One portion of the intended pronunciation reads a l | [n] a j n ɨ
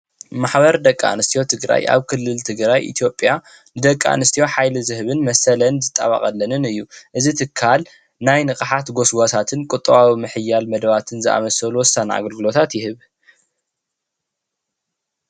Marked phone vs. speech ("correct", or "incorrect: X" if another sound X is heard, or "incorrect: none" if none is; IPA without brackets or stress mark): correct